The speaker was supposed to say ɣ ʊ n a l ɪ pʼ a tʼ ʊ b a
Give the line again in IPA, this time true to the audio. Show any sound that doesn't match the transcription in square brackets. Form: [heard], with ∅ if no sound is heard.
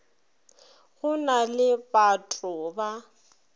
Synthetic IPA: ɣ ʊ n a l ɪ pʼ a tʼ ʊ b a